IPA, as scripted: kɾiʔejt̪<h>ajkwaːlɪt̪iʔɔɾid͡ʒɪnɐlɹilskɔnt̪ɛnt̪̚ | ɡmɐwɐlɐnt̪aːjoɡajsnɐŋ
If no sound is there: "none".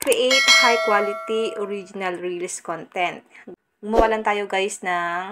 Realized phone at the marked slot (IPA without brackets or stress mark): h